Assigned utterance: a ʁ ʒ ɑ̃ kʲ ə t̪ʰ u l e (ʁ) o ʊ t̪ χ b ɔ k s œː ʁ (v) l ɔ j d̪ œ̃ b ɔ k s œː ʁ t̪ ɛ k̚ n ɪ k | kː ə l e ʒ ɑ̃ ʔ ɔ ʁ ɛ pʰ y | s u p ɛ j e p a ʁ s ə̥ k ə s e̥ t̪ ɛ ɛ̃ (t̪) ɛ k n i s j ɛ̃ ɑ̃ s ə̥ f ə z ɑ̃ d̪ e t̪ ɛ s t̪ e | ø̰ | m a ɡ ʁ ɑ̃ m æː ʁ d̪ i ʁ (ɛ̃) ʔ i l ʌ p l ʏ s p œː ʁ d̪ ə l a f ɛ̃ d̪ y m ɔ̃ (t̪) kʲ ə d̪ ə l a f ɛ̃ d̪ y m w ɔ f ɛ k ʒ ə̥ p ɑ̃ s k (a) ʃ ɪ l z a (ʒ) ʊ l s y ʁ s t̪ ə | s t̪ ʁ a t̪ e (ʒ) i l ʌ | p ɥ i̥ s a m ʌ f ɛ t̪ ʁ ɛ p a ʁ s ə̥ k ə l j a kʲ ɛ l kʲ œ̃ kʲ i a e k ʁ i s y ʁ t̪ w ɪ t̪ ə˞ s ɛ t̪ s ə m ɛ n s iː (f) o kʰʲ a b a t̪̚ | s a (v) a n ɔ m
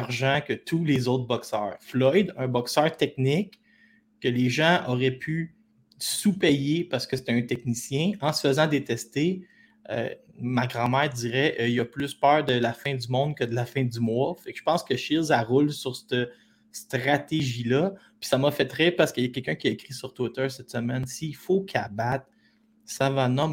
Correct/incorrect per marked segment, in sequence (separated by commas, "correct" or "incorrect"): incorrect, incorrect, correct, incorrect, incorrect, incorrect, incorrect, correct, correct, correct